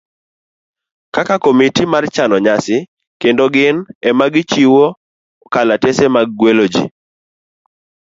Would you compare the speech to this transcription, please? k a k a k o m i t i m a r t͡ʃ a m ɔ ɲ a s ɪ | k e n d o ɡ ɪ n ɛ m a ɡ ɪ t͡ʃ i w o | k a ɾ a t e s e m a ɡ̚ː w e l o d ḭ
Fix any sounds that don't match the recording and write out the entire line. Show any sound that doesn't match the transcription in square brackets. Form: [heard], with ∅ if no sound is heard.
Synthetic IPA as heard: k a k a k o m i t i m a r t͡ʃ a [n] ɔ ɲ a s ɪ | k e n d o ɡ ɪ n ɛ m a ɡ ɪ t͡ʃ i w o | k a [l] a t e s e m a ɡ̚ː w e l o [d͡ʒ] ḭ